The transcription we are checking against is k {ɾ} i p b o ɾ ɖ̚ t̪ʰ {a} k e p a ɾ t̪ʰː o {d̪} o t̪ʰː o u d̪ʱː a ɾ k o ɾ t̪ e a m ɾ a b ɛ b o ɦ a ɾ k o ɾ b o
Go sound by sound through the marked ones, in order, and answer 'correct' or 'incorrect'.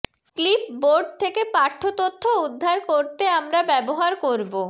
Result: incorrect, incorrect, incorrect

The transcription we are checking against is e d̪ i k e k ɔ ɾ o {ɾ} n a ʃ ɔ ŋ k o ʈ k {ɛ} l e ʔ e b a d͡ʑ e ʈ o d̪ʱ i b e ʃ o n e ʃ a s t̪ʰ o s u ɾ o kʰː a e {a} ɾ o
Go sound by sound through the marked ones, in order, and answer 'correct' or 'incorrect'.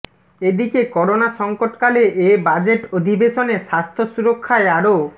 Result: incorrect, incorrect, correct

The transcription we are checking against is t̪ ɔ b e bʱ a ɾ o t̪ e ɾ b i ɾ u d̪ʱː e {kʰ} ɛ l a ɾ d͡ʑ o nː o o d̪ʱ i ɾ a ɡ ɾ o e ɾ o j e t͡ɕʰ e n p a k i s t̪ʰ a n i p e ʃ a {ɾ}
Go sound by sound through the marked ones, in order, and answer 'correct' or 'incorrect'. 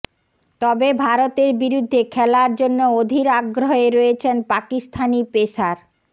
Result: correct, correct

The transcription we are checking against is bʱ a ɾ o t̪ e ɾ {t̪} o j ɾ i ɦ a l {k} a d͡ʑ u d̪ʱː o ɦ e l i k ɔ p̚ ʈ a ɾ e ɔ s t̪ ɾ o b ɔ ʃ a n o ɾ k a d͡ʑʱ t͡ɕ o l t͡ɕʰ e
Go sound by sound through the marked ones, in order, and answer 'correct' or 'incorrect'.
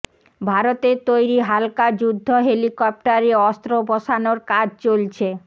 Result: correct, correct

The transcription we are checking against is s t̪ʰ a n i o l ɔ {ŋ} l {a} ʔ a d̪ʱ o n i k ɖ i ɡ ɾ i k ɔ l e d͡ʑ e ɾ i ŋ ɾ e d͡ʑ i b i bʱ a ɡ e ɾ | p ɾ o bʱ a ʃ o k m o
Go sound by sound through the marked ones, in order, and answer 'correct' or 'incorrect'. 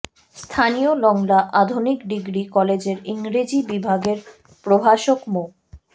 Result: correct, correct

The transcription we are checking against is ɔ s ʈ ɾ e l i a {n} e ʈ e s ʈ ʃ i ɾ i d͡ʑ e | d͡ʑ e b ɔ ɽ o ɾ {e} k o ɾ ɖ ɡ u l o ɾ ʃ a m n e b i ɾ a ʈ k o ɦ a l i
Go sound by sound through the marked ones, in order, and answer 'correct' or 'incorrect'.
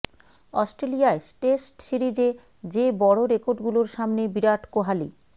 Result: incorrect, correct

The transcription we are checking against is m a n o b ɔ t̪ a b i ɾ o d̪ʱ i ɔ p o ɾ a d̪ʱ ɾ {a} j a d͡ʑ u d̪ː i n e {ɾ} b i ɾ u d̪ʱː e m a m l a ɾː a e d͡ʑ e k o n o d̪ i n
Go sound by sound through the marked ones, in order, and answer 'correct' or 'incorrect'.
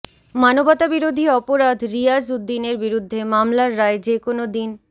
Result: incorrect, correct

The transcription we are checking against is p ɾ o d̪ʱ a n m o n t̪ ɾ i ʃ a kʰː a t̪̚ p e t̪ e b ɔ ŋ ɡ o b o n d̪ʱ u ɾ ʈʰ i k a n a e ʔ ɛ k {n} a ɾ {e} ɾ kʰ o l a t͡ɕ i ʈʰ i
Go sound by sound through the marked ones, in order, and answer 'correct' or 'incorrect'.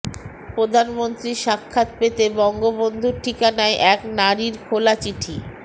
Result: correct, incorrect

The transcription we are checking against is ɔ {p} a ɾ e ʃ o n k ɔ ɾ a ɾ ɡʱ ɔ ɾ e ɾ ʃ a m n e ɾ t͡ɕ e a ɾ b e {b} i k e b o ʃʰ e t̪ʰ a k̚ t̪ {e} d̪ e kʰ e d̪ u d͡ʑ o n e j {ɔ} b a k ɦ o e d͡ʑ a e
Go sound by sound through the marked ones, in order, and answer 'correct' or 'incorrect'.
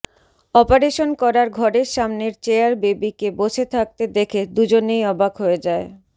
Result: correct, correct, correct, correct

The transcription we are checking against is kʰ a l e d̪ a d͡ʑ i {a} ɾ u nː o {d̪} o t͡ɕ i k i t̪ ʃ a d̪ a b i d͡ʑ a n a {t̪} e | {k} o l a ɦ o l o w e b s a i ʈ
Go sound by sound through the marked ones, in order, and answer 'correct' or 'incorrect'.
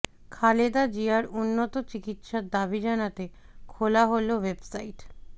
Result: correct, incorrect, correct, incorrect

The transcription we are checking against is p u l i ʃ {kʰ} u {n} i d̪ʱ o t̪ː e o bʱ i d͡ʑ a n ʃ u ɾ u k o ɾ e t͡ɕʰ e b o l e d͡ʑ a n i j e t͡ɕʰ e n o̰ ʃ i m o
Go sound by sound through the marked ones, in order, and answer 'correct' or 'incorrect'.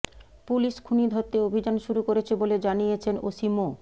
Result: correct, correct

